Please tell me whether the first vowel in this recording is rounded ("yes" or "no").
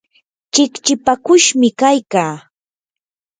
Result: no